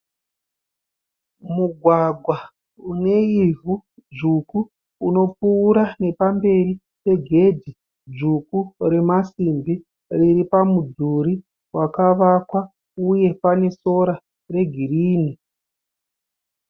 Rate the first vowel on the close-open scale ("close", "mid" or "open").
close